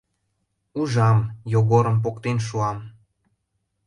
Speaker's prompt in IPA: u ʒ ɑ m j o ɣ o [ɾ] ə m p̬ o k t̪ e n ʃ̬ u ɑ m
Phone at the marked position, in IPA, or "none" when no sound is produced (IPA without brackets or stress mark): ɾ